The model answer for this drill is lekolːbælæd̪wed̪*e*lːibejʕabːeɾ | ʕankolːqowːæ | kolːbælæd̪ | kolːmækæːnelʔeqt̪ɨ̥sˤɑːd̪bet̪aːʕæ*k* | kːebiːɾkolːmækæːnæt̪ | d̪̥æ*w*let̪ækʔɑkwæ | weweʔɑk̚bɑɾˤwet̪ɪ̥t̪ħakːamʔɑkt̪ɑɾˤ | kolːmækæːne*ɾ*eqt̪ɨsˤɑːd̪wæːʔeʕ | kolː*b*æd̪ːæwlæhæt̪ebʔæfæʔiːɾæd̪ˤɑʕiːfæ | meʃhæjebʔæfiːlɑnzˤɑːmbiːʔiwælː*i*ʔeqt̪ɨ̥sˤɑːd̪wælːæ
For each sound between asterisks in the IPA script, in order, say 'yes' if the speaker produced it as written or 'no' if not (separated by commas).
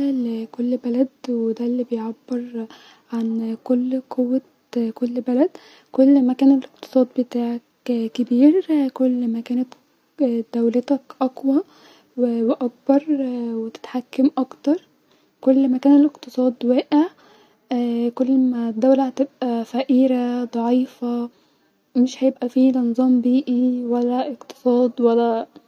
no, yes, yes, no, no, no